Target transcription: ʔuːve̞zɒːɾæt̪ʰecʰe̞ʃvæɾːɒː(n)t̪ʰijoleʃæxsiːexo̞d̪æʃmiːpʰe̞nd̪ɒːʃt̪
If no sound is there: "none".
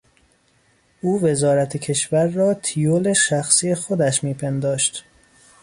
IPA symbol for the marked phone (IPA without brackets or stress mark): none